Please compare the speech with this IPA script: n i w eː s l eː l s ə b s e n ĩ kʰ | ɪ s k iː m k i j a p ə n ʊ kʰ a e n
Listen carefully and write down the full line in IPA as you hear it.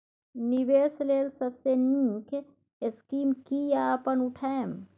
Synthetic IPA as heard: n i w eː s l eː l s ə b s e n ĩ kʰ | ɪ s k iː m k i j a p ə n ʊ ʈʰ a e m